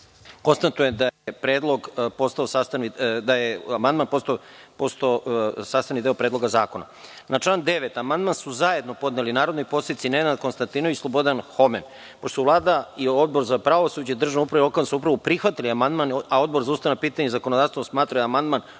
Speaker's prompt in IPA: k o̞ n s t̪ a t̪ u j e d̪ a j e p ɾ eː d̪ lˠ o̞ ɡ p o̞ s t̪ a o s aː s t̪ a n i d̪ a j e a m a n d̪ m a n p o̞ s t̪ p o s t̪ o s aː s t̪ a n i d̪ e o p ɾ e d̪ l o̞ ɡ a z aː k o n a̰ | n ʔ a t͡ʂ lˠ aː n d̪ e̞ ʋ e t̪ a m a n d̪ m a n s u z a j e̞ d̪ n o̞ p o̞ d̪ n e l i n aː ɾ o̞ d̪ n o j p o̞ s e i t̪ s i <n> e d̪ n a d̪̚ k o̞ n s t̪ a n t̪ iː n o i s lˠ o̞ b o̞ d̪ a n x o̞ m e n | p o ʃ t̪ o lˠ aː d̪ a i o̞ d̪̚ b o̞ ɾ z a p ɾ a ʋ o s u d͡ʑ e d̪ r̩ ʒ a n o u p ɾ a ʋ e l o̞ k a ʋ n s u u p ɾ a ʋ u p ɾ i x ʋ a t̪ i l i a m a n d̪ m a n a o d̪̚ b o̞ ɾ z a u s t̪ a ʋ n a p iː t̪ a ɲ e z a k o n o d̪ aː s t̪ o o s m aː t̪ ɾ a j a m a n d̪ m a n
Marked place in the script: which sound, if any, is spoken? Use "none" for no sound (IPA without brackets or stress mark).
n